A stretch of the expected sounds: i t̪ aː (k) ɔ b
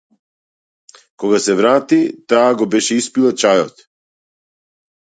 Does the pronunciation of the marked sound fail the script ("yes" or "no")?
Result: yes